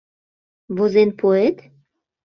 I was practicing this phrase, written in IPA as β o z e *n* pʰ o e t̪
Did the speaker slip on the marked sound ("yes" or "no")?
no